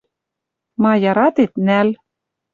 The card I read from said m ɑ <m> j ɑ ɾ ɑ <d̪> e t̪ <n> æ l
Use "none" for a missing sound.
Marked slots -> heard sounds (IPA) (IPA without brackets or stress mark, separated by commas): none, t̪, n